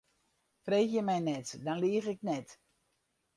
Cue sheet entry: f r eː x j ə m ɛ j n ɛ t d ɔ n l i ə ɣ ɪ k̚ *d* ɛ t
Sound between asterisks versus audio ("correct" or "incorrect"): incorrect